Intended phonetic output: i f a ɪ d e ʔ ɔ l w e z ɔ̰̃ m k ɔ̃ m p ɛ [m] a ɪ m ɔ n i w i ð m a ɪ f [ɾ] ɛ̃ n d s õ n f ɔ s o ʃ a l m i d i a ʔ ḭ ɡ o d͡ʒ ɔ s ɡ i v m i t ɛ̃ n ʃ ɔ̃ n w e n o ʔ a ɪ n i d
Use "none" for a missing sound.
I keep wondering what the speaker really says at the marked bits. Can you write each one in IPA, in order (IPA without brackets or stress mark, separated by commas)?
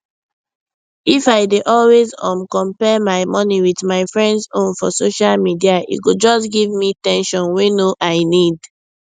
m, ɹ